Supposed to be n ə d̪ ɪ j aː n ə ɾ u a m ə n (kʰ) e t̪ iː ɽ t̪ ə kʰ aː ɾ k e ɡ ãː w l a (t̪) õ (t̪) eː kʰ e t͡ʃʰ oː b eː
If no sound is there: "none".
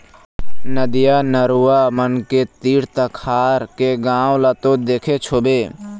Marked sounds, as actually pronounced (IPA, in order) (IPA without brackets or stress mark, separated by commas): k, t̪, d̪